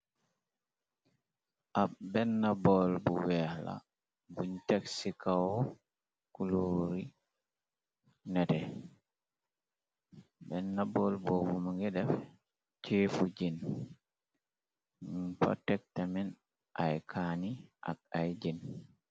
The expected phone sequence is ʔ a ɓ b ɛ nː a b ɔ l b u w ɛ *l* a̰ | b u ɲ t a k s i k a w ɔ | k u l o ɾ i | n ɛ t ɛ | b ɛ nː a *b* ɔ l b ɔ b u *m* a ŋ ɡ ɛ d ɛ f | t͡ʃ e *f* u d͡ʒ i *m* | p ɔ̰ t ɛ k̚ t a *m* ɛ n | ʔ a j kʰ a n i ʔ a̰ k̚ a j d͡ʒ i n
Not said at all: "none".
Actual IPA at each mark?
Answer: l, b, m, f, n, m

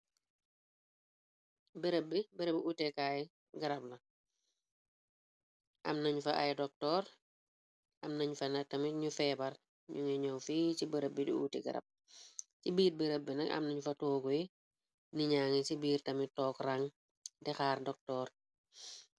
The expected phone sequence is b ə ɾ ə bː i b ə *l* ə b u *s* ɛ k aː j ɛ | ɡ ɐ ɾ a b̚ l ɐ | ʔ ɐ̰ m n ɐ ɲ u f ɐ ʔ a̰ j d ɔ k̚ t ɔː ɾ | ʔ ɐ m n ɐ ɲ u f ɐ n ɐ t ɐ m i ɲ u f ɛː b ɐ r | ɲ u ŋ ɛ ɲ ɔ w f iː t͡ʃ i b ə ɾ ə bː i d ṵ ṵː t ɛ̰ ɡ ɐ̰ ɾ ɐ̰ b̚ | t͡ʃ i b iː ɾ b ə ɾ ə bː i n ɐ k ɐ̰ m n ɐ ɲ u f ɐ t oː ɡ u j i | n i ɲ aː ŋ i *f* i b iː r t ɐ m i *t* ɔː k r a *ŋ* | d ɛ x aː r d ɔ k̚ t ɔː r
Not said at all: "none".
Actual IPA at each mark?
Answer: ɾ, t, s, t, ŋ

